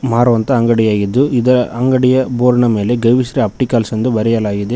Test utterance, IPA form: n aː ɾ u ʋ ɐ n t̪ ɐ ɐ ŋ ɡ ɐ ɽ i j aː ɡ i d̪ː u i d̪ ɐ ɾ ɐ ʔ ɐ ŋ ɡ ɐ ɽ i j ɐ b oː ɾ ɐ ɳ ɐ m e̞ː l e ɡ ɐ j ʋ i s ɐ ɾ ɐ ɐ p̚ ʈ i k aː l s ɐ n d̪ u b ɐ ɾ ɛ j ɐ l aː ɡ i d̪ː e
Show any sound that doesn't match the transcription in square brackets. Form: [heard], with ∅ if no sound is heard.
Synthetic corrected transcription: [m] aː ɾ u ʋ ɐ n t̪ ɐ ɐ ŋ ɡ ɐ ɽ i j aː ɡ i d̪ː u i d̪ ɐ ɾ ɐ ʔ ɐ ŋ ɡ ɐ ɽ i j ɐ b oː ɾ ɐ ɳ ɐ m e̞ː l e ɡ ɐ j ʋ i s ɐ ɾ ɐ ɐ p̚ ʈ i k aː l s ɐ n d̪ u b ɐ ɾ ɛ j ɐ l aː ɡ i [d̪] e